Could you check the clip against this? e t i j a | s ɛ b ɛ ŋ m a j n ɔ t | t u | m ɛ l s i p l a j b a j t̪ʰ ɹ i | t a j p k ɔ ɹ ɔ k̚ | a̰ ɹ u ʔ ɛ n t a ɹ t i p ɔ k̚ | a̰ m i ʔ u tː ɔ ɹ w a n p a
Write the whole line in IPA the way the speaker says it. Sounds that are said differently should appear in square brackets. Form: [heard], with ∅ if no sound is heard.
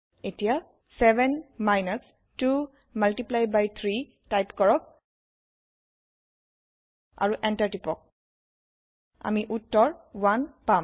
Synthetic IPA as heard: e t i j a | s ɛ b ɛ [n] m a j n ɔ [s] | t u | m [a] l [t] i p l a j b a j t̪ʰ ɹ i | t a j p k ɔ ɹ ɔ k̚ | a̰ ɹ u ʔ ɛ n t a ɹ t i p ɔ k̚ | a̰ m i ʔ u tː ɔ ɹ w a n p a